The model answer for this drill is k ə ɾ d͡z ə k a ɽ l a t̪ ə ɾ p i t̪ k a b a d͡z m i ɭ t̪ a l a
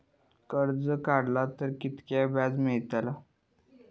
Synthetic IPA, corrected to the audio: k ə ɾ d͡z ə k a ɽ l a t̪ ə ɾ k i t̪ k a b a d͡z m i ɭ t̪ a l a